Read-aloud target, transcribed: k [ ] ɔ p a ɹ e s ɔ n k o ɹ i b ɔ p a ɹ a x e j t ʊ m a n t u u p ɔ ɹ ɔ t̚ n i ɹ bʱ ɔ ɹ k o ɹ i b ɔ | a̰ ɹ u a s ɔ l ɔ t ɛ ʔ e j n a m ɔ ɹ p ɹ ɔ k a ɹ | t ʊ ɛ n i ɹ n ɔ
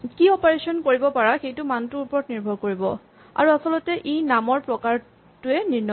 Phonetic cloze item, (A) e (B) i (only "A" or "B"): B